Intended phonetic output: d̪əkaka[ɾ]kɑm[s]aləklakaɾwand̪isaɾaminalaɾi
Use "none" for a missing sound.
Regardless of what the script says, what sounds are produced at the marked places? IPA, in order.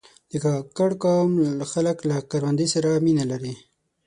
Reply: ɽ, x

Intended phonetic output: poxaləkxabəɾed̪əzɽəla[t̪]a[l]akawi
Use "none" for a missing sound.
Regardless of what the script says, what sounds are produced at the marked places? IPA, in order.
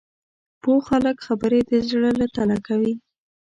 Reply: t̪, l

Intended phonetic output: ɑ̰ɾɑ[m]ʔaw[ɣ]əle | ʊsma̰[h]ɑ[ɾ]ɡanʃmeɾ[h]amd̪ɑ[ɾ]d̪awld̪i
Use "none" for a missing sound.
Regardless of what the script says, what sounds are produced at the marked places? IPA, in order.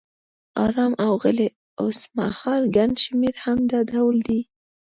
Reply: m, ɣ, h, ɾ, h, none

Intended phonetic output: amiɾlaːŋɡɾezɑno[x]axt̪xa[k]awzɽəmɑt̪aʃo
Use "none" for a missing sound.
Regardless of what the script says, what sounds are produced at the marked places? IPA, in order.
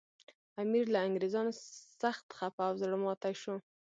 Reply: s, p

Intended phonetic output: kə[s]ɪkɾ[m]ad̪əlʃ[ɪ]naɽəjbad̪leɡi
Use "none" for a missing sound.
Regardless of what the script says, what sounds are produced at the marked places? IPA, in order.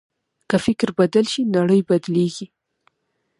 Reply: f, b, i

